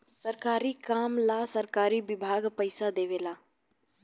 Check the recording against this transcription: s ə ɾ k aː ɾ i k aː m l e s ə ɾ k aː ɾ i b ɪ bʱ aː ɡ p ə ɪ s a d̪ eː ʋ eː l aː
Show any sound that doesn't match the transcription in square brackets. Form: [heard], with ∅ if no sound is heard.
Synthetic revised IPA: s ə ɾ k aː ɾ i k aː m l [a] s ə ɾ k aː ɾ i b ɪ bʱ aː ɡ p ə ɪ s a d̪ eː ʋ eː l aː